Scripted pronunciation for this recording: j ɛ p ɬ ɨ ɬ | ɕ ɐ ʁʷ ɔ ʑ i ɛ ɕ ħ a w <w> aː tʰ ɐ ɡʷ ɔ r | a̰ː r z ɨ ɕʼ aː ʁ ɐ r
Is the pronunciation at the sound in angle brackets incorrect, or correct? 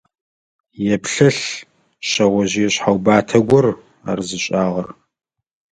incorrect